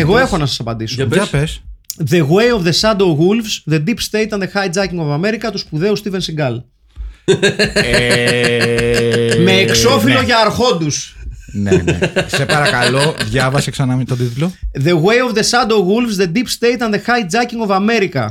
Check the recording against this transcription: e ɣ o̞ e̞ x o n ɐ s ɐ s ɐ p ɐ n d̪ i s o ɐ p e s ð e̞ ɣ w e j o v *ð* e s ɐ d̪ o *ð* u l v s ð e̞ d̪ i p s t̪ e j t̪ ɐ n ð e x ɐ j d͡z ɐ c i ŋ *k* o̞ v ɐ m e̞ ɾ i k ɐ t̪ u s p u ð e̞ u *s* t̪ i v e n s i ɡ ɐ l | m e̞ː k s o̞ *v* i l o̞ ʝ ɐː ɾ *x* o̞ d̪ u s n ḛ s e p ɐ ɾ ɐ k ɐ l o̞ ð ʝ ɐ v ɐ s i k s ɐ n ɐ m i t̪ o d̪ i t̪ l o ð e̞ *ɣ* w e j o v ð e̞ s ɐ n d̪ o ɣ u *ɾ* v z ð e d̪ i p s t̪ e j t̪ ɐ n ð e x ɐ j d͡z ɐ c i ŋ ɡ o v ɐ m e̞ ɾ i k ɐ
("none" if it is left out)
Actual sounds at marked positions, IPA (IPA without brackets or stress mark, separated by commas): ð, ɣ, ɡ, s, f, x, ɣ, l